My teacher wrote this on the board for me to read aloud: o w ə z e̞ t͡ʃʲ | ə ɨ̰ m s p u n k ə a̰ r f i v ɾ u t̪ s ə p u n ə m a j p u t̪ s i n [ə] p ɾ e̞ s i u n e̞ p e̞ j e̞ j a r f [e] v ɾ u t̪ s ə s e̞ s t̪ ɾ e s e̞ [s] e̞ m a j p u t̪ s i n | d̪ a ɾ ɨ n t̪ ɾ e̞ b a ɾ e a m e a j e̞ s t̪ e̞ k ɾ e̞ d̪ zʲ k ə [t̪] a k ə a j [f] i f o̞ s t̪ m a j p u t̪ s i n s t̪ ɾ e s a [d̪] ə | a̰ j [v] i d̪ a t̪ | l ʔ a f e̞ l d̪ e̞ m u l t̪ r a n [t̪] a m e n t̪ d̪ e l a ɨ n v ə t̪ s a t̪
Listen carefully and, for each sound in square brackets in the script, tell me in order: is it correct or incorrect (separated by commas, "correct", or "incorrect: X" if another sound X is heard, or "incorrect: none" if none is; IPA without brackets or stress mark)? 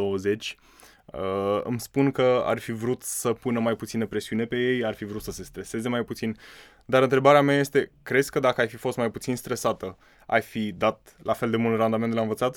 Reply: correct, incorrect: i, incorrect: z, incorrect: d̪, correct, incorrect: t̪, incorrect: f, incorrect: d̪